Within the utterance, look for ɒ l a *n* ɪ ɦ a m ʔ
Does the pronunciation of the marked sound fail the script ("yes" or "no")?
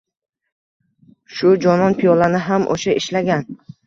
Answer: no